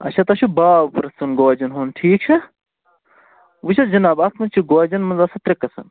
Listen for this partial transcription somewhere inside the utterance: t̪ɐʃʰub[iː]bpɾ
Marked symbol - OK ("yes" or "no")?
no